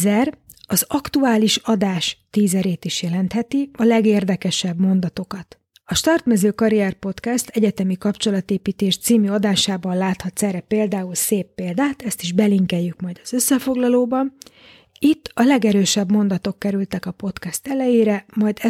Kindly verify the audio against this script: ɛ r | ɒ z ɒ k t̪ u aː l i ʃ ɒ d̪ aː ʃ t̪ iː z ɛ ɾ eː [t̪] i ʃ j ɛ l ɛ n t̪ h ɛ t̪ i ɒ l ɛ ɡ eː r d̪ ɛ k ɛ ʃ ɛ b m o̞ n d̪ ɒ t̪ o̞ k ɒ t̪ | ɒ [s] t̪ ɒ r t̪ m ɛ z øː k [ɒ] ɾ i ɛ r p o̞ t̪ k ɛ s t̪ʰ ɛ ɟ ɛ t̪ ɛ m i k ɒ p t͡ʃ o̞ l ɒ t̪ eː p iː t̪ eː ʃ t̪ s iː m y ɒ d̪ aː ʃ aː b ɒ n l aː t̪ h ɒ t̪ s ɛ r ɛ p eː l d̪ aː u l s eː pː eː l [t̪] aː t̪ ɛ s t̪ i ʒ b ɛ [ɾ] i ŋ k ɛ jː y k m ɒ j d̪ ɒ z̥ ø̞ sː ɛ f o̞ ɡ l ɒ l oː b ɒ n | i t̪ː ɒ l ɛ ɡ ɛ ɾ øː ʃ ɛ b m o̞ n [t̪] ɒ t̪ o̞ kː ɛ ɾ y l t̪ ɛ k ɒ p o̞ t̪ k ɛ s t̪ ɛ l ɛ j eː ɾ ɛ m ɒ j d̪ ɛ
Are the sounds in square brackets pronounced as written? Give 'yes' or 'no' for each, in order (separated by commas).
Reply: yes, no, yes, no, no, no